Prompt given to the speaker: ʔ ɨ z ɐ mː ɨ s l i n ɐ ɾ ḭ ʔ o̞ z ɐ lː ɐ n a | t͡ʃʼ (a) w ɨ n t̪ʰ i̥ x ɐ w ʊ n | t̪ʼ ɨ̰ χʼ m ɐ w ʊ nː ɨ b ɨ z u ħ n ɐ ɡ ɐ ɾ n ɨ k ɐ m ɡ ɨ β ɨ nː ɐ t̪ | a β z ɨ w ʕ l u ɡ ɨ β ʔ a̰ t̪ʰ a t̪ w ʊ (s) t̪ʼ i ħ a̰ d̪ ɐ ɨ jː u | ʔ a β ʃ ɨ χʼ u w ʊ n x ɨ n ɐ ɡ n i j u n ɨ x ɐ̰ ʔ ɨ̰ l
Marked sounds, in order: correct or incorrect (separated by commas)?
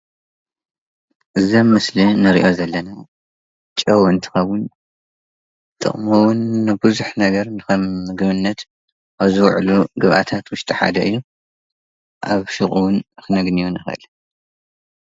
incorrect, incorrect